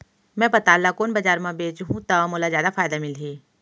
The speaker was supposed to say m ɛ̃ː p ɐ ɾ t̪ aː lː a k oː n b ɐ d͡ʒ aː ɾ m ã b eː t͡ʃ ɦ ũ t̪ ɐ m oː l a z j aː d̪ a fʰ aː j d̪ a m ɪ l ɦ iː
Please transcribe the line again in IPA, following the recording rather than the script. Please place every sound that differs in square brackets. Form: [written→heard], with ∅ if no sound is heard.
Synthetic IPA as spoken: m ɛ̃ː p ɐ [ɾ→∅] t̪ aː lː a k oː n b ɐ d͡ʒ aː ɾ m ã b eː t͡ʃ ɦ ũ t̪ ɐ m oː l a z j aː d̪ a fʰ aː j d̪ a m ɪ l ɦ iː

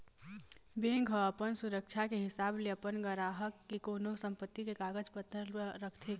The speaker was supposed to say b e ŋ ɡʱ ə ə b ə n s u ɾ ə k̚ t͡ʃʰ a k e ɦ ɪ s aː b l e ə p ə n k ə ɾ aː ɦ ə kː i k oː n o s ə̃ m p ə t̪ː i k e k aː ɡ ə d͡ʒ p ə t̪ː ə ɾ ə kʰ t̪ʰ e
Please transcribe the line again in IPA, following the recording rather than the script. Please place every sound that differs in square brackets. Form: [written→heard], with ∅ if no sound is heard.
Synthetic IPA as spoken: b e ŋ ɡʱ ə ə [b→p] ə n s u ɾ ə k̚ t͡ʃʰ a k e ɦ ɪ s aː b l e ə p ə n [k→ɡ] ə ɾ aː ɦ ə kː i k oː n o s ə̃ m p ə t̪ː i k e k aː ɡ ə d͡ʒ p ə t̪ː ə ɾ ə kʰ t̪ʰ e

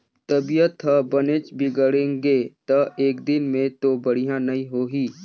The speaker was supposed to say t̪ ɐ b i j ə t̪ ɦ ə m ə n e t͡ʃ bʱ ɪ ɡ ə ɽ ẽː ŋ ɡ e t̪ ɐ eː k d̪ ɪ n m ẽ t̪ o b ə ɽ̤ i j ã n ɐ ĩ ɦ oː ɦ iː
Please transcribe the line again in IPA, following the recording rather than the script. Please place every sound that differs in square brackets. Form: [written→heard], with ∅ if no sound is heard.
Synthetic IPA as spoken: t̪ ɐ b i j ə t̪ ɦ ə [m→b] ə n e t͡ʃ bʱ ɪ ɡ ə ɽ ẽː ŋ ɡ e t̪ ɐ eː k d̪ ɪ n m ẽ t̪ o b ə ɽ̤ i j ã n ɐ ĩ ɦ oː ɦ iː

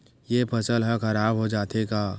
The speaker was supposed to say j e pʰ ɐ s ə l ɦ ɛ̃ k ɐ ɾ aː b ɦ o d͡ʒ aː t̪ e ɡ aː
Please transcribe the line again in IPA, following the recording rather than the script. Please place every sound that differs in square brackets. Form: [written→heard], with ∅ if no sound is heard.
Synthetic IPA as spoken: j e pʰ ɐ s ə l ɦ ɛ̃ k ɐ ɾ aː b ɦ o d͡ʒ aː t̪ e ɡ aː

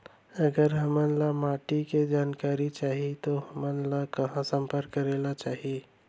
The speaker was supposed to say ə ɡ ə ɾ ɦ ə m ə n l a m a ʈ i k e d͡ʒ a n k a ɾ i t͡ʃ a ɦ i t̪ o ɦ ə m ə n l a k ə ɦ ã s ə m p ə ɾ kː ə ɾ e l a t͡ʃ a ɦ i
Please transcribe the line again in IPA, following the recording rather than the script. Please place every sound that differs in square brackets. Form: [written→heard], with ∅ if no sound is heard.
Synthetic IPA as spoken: ə ɡ ə ɾ ɦ ə m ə n l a m a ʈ i k e d͡ʒ a n k a ɾ i t͡ʃ a ɦ i t̪ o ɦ ə m ə n l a k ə ɦ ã s ə m p ə ɾ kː ə ɾ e l a t͡ʃ a ɦ i

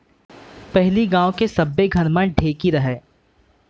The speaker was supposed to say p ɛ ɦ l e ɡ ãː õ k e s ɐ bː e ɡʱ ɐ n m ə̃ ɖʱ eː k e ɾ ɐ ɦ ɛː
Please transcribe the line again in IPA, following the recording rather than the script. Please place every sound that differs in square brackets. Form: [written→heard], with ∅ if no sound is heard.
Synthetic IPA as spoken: p ɛ ɦ l [e→i] ɡ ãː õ k e s ɐ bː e ɡʱ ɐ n m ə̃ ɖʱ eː k [e→i] ɾ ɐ ɦ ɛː

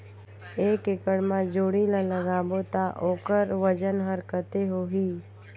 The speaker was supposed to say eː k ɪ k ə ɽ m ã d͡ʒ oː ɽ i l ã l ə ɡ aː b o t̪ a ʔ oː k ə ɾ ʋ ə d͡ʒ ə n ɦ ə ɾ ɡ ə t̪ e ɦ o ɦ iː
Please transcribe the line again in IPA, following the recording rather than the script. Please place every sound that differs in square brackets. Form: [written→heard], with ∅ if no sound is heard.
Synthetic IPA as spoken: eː k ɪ k ə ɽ m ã d͡ʒ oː ɽ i l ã l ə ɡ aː b o t̪ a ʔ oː k ə ɾ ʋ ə d͡ʒ ə n ɦ ə ɾ [ɡ→k] ə t̪ e ɦ o ɦ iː

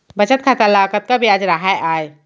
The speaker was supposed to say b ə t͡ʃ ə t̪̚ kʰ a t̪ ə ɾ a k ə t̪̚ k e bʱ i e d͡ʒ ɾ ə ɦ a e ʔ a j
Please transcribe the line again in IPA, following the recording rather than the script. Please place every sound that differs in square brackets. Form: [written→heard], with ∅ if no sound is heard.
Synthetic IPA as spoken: b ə t͡ʃ ə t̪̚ kʰ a t̪ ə [ɾ→l] a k ə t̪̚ k [e→a] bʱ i [e→a] d͡ʒ ɾ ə ɦ a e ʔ a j

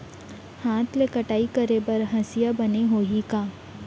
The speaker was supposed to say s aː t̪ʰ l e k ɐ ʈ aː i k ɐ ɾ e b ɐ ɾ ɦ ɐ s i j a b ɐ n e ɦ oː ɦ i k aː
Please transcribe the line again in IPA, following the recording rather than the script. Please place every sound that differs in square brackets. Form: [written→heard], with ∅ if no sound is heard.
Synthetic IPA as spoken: [s→h] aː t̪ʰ l e k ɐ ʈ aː i k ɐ ɾ e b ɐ ɾ ɦ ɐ s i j a b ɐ n e ɦ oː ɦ i k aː

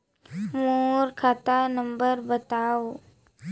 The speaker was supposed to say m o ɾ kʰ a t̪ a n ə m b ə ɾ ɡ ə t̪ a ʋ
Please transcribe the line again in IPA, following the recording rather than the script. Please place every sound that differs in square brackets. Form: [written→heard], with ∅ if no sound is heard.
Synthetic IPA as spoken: m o ɾ kʰ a t̪ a n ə m b ə ɾ [ɡ→b] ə t̪ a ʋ

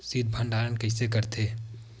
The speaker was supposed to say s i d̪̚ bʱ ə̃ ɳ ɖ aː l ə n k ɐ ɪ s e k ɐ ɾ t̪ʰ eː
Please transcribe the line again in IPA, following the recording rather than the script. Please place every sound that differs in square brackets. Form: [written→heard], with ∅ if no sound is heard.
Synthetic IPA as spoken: s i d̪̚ bʱ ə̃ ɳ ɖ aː [l→ɾ] ə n k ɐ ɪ s e k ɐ ɾ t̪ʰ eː

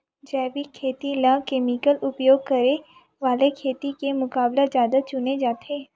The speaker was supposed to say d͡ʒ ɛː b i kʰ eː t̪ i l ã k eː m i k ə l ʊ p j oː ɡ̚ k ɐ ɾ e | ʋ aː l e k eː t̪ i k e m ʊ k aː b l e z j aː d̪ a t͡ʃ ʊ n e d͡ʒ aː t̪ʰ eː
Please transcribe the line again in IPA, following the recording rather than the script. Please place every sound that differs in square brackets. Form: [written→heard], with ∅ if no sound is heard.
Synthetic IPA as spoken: d͡ʒ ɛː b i kʰ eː t̪ i l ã k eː m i k ə l ʊ p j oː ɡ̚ k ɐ ɾ e | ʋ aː l e [k→kʰ] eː t̪ i k e m ʊ k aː b l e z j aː d̪ a t͡ʃ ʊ n e d͡ʒ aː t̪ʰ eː

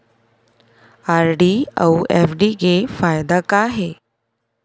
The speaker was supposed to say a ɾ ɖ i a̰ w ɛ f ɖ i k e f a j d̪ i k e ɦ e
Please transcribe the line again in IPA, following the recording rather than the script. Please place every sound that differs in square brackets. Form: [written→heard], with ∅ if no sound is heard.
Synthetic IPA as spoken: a ɾ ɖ i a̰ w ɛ f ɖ i [k→ɡ] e f a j d̪ [i→a] k [e→a] ɦ e

